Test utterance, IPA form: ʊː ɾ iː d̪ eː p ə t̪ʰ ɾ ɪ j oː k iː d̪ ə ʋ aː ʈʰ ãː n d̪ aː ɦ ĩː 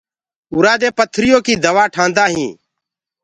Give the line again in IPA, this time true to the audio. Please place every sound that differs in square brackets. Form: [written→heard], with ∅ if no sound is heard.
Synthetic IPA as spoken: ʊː ɾ [iː→aː] d̪ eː p ə t̪ʰ ɾ ɪ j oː k iː d̪ ə ʋ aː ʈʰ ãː n d̪ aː ɦ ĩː

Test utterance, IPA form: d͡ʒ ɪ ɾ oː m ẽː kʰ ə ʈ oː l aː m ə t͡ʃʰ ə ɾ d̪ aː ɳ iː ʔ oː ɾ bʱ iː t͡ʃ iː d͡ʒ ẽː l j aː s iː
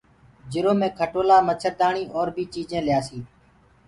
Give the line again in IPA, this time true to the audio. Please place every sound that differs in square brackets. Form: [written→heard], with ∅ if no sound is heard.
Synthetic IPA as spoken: d͡ʒ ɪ ɾ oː m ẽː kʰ ə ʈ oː l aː m ə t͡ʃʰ ə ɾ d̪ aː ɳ iː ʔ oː ɾ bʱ iː t͡ʃ iː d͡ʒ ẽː l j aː s iː

